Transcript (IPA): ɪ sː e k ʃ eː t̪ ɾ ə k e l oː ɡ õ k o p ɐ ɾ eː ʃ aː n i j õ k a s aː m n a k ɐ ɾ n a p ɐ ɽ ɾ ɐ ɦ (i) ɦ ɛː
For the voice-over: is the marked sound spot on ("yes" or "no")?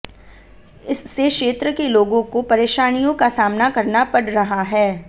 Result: no